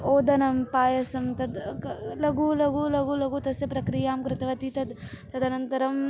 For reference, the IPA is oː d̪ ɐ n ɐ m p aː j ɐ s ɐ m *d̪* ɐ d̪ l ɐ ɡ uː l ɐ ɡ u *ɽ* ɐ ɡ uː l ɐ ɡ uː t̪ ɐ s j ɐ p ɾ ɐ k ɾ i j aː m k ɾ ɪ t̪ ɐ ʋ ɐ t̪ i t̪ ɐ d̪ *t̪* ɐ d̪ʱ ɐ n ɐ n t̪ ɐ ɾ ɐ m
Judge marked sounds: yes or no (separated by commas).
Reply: no, no, yes